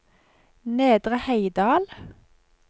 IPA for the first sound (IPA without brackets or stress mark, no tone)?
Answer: n